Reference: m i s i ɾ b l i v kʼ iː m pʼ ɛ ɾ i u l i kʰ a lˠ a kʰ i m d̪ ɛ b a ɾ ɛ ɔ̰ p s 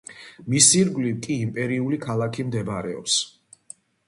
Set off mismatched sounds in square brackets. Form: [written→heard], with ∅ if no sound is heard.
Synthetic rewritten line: m i s i ɾ [b→ɡ] l i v kʼ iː m pʼ ɛ ɾ i u l i kʰ a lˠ a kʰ i m d̪ ɛ b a ɾ ɛ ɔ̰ p s